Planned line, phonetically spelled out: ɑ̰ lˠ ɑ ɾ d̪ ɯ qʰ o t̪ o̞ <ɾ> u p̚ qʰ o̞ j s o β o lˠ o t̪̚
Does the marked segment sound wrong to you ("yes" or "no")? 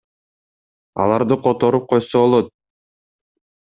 no